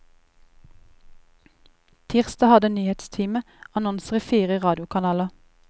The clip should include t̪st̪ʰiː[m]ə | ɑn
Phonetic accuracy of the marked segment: correct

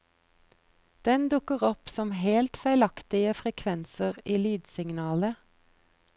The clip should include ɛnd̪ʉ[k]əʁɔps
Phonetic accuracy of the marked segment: correct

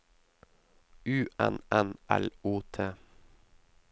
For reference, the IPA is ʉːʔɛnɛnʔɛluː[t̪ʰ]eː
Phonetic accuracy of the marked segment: correct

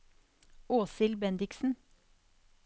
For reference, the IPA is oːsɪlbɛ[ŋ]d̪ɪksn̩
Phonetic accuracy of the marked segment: incorrect: n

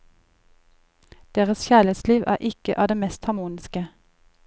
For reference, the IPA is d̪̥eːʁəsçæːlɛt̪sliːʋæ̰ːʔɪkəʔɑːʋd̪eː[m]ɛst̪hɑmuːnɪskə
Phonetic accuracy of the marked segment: correct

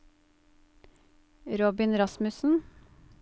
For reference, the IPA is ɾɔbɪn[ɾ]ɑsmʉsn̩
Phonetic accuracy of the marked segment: correct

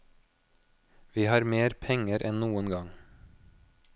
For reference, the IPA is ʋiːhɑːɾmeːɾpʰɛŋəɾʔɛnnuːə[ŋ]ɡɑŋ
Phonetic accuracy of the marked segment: incorrect: n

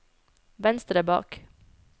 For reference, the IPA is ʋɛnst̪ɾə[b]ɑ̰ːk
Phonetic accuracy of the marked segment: correct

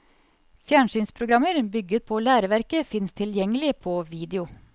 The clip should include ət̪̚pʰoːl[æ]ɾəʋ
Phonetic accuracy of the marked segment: incorrect: æː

